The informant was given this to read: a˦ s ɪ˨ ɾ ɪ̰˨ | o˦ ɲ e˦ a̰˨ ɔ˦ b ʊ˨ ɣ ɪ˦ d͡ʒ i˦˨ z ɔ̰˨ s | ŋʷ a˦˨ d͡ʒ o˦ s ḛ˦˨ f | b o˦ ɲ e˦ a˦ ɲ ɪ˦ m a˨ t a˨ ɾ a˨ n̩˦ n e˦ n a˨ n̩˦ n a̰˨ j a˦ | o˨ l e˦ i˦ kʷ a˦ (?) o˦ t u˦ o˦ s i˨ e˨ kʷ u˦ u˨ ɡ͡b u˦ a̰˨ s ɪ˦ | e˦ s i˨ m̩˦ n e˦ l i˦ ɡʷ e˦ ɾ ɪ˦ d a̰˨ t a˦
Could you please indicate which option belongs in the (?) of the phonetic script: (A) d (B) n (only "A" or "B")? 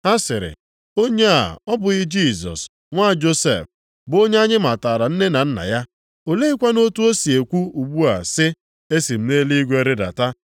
B